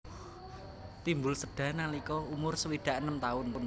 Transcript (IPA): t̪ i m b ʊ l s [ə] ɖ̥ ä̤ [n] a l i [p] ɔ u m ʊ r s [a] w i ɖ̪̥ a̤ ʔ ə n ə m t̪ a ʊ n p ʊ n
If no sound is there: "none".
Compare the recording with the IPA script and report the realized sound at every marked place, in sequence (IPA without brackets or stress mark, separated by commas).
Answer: ə, n, k, ə